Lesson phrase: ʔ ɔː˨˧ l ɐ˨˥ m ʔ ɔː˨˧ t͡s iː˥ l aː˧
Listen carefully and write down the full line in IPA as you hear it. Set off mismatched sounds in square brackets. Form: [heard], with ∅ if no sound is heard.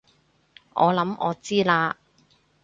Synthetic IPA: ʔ ɔː˨˧ l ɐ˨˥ m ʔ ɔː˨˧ t͡s iː˥ l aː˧